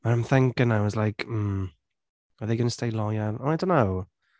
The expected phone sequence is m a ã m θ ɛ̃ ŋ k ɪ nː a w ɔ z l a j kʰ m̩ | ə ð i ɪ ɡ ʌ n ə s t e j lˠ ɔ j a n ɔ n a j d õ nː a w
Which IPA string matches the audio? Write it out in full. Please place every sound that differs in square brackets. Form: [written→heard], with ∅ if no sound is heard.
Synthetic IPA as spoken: m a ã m θ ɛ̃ ŋ k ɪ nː a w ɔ z l a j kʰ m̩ | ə ð [i→e] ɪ ɡ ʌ n ə s t e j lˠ ɔ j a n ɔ n a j d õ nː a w